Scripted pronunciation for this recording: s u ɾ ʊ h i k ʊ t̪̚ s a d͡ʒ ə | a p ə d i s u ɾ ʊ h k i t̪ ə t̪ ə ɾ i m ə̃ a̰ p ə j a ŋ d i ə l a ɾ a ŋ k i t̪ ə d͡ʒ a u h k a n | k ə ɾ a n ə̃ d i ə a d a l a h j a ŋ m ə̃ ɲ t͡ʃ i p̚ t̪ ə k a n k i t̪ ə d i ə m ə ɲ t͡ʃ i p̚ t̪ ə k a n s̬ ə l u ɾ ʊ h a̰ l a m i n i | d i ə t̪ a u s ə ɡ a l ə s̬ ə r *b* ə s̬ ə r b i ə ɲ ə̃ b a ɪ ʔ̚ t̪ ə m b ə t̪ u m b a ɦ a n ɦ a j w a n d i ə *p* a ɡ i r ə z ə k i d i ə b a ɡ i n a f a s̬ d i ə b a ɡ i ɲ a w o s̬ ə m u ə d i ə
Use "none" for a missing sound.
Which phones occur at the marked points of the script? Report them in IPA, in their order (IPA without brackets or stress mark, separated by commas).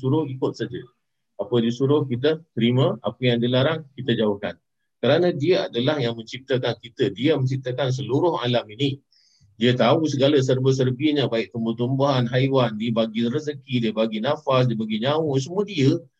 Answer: b, b